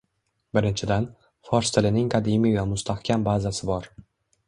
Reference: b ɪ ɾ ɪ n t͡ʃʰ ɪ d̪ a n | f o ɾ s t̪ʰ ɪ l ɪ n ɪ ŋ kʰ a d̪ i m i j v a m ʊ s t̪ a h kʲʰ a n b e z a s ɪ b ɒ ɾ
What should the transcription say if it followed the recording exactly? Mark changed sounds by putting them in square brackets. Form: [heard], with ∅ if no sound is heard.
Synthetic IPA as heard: b ɪ ɾ ɪ n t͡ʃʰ ɪ d̪ a n | f [ɒ] ɾ s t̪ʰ ɪ l ɪ n ɪ ŋ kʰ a d̪ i m i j v a m ʊ s t̪ a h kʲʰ a [m] b [a] z a s ɪ b ɒ ɾ